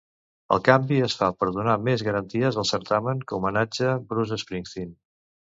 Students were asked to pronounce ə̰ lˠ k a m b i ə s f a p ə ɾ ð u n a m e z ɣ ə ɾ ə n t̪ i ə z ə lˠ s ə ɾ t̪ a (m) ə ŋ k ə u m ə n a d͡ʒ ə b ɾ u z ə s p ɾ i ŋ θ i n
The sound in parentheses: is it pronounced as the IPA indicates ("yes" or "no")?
yes